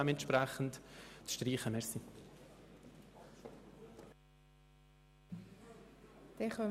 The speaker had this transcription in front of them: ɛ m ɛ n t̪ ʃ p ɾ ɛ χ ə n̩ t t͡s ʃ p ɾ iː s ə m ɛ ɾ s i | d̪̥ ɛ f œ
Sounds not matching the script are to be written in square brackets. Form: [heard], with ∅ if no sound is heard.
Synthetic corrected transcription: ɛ m ɛ n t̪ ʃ p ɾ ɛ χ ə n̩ t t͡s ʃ [t] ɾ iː [χ] ə m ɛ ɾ s i | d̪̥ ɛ [χ] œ

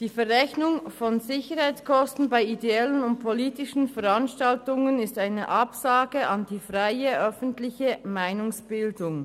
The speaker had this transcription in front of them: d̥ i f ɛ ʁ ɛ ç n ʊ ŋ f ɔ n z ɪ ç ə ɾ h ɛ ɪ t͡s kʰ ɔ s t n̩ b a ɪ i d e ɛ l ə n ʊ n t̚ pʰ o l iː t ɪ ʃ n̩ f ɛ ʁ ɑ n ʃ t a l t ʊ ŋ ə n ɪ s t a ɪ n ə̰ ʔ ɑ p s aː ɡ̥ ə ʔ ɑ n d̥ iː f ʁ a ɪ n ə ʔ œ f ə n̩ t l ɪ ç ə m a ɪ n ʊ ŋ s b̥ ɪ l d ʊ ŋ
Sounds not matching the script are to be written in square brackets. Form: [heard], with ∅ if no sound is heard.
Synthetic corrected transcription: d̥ [iː] f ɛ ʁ ɛ ç n ʊ ŋ f ɔ n z ɪ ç ə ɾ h [a] ɪ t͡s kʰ ɔ s t n̩ b a ɪ i d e ɛ l ə n ʊ n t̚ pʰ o l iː t ɪ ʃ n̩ f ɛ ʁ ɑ n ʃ t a l t ʊ ŋ ə n ɪ s t a ɪ n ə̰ ʔ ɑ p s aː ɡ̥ ə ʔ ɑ n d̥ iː f ʁ a ɪ [∅] ə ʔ œ f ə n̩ t l ɪ ç ə m a ɪ n ʊ ŋ s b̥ ɪ l d ʊ ŋ

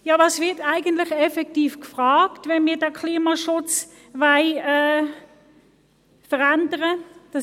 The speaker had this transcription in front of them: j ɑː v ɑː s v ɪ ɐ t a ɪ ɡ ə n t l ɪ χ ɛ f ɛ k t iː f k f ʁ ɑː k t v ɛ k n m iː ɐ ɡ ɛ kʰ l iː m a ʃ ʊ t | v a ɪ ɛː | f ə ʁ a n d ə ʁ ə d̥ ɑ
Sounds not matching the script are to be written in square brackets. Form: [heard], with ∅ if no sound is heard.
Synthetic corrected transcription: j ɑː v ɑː s v ɪ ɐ t a ɪ ɡ ə n t l ɪ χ ɛ f ɛ k t iː f k f ʁ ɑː k t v ɛ [∅] n m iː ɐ [d] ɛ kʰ l iː m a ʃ ʊ [t͡s] | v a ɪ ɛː | f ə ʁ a n d ə ʁ ə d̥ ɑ

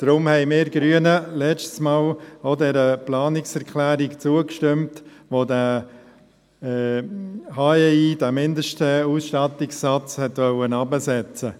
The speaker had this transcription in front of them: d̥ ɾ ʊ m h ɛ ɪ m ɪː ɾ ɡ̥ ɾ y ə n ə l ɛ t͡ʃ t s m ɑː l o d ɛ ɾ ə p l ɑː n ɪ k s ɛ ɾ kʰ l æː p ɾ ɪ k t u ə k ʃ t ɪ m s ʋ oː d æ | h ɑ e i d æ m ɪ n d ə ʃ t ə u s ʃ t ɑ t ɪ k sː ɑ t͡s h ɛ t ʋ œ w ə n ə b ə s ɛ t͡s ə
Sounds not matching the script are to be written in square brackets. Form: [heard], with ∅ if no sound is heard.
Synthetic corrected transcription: d̥ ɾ ʊ m h ɛ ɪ m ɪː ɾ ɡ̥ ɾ y ə n ə l ɛ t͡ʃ t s m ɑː l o d ɛ ɾ ə p l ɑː n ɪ k s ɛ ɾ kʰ l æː [∅] ɾ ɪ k [t͡s] u ə k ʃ t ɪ m [t] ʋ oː d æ | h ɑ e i d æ m ɪ n d ə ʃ t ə u s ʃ t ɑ t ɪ k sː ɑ t͡s h ɛ t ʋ œ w ə n [ɑ] b ə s ɛ t͡s ə

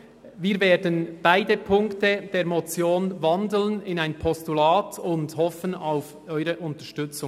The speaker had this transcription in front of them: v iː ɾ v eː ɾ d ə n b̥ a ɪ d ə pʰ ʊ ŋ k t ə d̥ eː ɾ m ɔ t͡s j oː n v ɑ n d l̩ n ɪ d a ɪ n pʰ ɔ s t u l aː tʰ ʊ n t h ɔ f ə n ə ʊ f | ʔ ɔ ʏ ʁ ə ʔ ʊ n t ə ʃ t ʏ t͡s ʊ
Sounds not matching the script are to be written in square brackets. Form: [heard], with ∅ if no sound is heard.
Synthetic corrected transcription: v iː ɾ v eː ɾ d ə n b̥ a ɪ d ə pʰ ʊ ŋ k t ə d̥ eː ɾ m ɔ t͡s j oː n v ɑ n d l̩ n ɪ [n] a ɪ n pʰ ɔ s t u l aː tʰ ʊ n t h ɔ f ə n [a] ʊ f | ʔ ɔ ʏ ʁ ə ʔ ʊ n t ə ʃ t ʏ t͡s ʊ

